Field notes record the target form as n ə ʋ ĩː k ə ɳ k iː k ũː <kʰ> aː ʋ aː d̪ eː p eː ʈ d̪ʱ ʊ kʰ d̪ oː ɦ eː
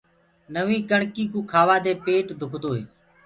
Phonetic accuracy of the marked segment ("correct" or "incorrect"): correct